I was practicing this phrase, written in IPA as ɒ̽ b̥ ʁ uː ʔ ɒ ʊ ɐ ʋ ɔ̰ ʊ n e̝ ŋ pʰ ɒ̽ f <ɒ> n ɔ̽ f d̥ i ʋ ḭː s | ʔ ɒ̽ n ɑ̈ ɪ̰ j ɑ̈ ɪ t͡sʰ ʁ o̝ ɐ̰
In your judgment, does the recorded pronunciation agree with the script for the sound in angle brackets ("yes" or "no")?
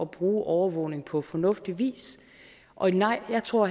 yes